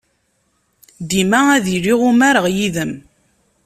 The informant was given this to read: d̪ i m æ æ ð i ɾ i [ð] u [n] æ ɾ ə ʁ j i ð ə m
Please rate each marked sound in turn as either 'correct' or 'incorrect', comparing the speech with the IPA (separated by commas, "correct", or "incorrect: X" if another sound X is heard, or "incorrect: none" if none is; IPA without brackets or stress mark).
incorrect: ʁ, incorrect: m